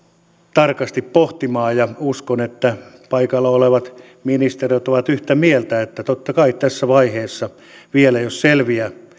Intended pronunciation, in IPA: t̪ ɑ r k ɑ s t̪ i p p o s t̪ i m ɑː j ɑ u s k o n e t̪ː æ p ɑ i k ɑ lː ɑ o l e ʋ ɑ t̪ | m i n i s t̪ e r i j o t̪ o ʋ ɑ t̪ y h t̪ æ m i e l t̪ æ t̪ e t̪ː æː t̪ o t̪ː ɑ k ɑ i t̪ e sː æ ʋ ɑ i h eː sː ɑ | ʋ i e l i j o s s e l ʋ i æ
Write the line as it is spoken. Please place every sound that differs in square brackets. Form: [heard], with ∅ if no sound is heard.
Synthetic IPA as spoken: t̪ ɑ r k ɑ s t̪ i p p o [h] t̪ i m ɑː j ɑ u s k o n e t̪ː æ p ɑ i k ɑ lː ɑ o l e ʋ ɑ t̪ | m i n i s t̪ e r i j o t̪ o ʋ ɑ t̪ y h t̪ æ m i e l t̪ æ [∅] e t̪ː [æ] t̪ o t̪ː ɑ k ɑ i t̪ [æ] sː æ ʋ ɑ i h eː sː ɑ | ʋ i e l [æ] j o s s e l ʋ i æ